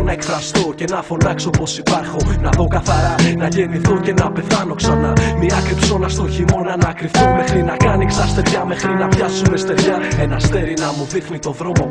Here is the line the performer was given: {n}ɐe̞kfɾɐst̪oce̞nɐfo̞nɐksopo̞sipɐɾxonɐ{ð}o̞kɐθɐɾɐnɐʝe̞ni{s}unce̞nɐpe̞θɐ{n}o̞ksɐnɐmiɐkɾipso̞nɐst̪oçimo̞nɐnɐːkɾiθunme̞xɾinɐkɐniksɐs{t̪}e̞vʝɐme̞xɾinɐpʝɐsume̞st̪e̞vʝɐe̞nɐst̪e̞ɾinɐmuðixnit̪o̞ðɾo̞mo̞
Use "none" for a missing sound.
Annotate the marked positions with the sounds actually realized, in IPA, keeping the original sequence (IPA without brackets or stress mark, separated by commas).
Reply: n, ð, θ, n, t̪